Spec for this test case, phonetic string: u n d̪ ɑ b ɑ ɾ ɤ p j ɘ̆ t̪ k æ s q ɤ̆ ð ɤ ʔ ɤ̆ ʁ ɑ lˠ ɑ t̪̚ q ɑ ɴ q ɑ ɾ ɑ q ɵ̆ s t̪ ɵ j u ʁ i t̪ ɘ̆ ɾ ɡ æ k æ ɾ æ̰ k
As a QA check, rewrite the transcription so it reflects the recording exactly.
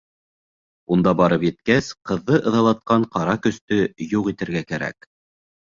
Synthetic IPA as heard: u n d̪ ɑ b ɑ ɾ ɤ p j ɘ̆ t̪ k æ s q ɤ̆ ðː ɤ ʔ ɤ̆ ð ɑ lˠ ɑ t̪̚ q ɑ ɴ q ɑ ɾ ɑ k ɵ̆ s t̪ ɵ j u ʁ i t̪ ɘ̆ ɾ ɡ æ k æ ɾ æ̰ k